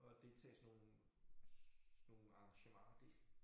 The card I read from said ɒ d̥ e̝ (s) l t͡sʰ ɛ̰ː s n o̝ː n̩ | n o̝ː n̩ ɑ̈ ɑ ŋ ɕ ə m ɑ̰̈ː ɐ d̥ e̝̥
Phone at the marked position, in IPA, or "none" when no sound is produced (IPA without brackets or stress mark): none